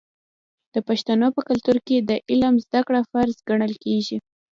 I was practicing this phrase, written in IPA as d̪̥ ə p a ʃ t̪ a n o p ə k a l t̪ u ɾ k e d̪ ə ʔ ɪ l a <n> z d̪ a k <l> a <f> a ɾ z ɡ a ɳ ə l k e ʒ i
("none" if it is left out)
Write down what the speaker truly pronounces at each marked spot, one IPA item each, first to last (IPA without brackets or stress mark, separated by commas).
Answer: m, ɽ, f